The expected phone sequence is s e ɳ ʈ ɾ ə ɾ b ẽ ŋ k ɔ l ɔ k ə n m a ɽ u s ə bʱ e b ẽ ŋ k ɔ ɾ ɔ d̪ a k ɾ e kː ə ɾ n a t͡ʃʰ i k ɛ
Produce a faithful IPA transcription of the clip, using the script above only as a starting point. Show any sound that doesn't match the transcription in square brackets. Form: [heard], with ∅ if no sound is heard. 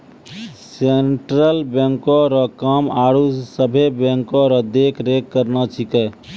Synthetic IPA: s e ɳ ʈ ɾ ə [l] b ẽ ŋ k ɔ [ɾ] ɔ k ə [∅] m a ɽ u s ə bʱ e b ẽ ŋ k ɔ ɾ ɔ d̪ [e] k ɾ e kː ə ɾ n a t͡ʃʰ i k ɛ